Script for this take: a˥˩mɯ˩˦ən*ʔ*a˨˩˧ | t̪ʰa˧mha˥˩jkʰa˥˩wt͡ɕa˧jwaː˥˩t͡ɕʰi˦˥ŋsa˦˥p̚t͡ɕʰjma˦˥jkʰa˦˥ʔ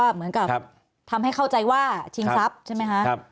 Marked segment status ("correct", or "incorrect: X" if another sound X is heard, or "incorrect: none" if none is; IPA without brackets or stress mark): incorrect: k